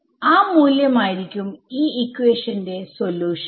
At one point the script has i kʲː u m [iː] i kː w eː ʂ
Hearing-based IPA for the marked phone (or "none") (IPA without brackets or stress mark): iː